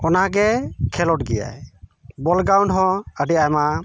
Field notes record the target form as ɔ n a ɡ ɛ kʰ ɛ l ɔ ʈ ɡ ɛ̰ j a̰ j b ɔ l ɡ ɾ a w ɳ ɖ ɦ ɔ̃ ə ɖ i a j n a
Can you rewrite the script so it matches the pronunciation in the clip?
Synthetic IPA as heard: ɔ n a ɡ ɛ kʰ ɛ l ɔ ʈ ɡ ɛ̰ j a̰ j b ɔ l ɡ ɾ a w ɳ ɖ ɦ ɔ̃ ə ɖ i a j m a